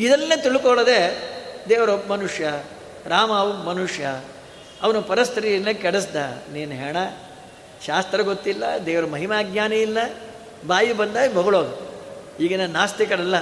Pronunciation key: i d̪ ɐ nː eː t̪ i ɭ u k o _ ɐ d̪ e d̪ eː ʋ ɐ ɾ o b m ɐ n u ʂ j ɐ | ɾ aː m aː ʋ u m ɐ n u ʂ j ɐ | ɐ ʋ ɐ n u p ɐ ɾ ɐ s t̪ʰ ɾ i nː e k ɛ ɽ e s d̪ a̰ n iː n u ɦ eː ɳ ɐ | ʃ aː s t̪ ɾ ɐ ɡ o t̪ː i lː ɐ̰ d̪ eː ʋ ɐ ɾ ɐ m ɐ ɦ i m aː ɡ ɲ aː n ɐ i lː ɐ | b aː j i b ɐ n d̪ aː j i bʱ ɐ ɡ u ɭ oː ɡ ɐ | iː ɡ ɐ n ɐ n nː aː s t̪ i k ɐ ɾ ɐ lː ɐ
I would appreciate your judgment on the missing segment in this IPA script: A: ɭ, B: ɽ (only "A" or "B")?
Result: A